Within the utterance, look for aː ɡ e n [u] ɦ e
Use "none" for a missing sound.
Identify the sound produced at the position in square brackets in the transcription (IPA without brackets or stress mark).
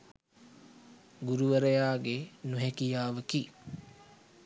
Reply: u